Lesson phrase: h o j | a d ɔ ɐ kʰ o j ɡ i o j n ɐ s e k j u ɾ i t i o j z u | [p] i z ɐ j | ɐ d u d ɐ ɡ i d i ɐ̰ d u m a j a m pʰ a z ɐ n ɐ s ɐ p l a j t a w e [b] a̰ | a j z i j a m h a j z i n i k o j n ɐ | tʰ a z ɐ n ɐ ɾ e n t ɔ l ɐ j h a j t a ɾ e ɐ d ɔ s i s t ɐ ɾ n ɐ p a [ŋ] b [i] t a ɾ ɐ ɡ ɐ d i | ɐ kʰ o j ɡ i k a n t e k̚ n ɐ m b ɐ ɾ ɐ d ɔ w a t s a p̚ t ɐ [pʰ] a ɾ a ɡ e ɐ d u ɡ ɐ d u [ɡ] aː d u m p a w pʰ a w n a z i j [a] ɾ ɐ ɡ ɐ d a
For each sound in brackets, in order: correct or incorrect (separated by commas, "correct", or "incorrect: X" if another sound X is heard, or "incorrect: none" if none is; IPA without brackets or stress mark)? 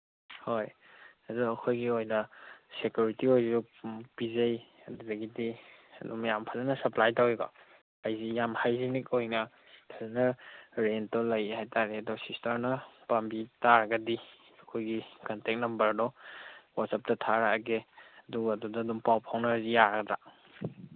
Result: correct, incorrect: ɡ, incorrect: m, correct, incorrect: tʰ, incorrect: d, correct